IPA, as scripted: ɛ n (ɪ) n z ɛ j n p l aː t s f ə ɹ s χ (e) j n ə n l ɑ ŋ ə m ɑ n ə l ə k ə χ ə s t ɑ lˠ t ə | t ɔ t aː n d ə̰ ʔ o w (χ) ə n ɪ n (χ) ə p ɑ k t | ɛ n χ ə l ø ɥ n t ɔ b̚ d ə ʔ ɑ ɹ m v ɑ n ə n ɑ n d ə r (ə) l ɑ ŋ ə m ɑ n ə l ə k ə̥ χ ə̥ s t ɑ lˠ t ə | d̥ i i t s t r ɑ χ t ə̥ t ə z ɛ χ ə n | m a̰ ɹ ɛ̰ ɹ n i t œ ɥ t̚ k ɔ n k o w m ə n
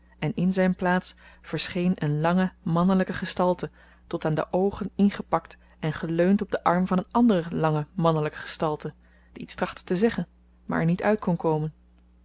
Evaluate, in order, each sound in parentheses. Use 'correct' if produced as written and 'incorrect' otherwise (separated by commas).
correct, correct, correct, correct, correct